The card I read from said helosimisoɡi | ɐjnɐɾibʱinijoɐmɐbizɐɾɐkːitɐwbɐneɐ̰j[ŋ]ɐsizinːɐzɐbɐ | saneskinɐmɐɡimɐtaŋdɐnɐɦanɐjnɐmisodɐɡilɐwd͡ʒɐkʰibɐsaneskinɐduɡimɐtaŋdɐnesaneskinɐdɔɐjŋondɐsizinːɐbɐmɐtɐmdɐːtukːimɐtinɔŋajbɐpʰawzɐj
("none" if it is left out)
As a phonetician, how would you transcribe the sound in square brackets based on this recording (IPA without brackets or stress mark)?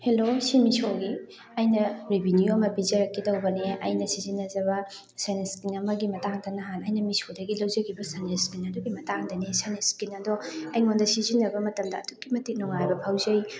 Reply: n